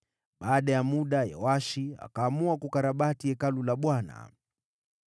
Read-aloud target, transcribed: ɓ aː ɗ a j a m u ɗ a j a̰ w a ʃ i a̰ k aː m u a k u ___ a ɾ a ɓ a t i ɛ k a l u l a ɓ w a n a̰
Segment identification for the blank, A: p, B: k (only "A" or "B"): B